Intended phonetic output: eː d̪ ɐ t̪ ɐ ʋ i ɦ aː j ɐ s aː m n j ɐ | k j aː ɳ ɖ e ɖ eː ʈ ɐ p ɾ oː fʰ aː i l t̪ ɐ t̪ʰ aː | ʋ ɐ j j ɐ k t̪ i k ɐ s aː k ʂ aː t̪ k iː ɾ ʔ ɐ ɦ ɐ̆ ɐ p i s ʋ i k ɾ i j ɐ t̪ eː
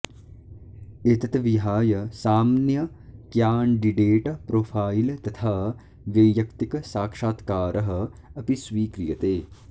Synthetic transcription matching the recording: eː t̪ ɐ t̪ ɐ ʋ i ɦ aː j ɐ s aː m n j ɐ | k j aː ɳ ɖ i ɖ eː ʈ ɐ p ɾ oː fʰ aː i l t̪ ɐ t̪ʰ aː | ʋ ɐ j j ɐ k t̪ i k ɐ s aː k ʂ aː t̪ k aː ɾ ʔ ɐ ɦ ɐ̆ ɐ p i s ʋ iː k ɾ i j ɐ t̪ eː

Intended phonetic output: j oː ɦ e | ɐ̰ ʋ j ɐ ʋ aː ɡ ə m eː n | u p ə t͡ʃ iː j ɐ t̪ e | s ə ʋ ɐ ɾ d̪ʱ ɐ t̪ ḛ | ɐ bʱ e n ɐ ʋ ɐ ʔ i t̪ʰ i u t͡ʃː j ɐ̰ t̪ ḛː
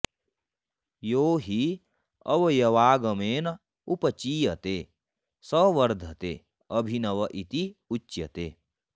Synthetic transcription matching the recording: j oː ɦ i | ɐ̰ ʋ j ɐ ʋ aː ɡ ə m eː n | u p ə t͡ʃ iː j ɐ t̪ e | s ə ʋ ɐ ɾ d̪ʱ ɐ t̪ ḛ | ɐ bʱ i n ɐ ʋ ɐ ʔ i t̪ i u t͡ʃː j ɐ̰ t̪ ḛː

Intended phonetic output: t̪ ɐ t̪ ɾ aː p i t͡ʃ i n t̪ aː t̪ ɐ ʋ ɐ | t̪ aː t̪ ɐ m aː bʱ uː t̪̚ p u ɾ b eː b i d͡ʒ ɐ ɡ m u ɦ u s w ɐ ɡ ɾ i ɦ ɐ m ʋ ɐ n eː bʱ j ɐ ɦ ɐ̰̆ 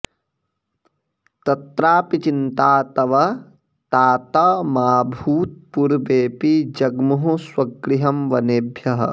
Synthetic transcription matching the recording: t̪ ɐ t̪ ɾ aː p i t͡ʃ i n t̪ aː t̪ ɐ ʋ ɐ | t̪ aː t̪ ɐ m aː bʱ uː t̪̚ p u ɾ b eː p i d͡ʒ ɐ ɡ m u ɦ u s w ɐ ɡ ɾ i ɦ ɐ m ʋ ɐ n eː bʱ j ɐ ɦ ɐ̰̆

